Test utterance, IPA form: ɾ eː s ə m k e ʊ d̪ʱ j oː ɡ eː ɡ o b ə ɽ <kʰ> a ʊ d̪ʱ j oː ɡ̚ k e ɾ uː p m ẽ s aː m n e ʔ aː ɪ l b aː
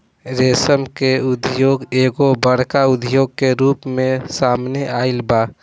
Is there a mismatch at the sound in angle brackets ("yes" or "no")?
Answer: yes